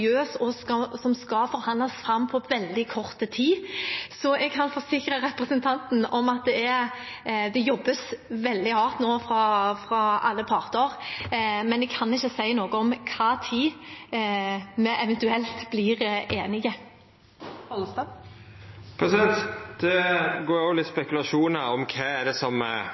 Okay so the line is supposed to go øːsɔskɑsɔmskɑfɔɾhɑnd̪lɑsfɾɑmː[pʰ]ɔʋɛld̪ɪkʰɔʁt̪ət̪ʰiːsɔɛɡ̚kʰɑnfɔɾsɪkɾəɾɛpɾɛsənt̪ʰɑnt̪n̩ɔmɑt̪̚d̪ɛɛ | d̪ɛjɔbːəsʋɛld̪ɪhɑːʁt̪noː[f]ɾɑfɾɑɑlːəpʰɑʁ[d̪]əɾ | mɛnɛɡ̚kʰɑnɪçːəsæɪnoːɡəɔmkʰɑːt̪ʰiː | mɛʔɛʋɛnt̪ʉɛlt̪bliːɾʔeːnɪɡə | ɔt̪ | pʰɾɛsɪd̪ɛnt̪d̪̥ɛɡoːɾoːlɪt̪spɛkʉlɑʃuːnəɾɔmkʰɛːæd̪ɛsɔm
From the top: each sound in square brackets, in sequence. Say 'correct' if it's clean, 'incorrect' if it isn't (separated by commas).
correct, correct, incorrect